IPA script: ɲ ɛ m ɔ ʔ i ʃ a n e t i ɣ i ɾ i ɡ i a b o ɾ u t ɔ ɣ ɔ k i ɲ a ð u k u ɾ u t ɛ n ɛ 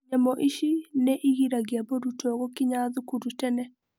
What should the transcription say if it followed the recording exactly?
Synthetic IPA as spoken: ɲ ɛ m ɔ ʔ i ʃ i n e ʔ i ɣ i ɾ a ɡ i a b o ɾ u t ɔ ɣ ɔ k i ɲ a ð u k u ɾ u t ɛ n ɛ